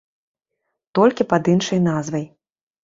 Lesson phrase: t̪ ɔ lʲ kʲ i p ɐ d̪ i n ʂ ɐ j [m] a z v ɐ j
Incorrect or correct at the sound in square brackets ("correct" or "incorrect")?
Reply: incorrect